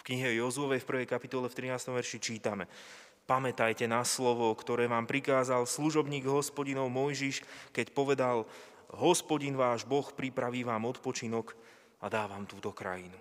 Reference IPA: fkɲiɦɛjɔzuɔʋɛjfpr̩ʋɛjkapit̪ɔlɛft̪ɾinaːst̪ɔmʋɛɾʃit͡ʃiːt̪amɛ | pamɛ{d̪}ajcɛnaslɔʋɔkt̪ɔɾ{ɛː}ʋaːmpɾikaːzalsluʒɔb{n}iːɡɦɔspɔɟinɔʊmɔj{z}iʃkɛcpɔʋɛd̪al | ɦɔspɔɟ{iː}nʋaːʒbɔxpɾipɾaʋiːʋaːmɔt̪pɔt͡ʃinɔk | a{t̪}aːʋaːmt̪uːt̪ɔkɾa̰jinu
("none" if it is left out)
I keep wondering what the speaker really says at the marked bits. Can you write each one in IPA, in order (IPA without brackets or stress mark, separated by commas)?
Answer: t̪, ɛː, ɲ, ʒ, i, d̪